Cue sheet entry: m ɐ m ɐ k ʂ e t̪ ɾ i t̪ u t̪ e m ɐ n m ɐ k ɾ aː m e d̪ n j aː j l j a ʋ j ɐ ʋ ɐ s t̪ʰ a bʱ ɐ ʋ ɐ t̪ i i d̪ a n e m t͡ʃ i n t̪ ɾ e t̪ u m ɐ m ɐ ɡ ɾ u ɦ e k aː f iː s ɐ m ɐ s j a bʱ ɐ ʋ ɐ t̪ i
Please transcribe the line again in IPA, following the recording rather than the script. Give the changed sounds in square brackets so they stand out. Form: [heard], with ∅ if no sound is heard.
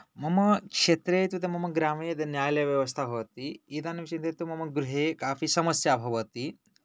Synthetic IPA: m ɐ m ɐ k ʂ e t̪ ɾ [e] t̪ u t̪ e m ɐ [∅] m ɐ [ɡ] ɾ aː m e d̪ n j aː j l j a ʋ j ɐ ʋ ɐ s t̪ʰ a bʱ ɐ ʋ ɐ t̪ i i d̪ a n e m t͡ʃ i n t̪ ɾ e t̪ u m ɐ m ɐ ɡ ɾ u ɦ e k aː f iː s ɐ m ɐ s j a bʱ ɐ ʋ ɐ t̪ i